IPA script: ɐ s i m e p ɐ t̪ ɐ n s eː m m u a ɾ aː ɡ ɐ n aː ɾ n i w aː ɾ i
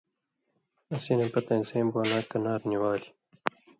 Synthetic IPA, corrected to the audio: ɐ s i n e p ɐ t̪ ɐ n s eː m b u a l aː k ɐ n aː ɾ n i w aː l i